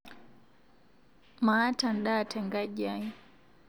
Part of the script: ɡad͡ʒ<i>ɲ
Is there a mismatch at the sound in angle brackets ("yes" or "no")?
yes